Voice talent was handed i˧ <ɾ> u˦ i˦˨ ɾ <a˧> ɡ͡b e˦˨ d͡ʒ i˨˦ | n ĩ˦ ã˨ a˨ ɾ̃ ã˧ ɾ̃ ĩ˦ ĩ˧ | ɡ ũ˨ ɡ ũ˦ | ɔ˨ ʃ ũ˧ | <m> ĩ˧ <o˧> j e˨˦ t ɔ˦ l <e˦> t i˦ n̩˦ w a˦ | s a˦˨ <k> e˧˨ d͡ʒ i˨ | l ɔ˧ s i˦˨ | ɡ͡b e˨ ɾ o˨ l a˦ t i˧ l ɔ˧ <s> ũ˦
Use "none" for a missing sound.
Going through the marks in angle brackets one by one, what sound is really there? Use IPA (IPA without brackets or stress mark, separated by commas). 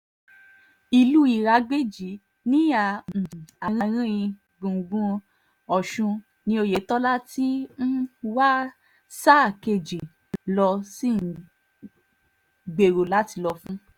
l, a˧, n, o˧, a˦, k, f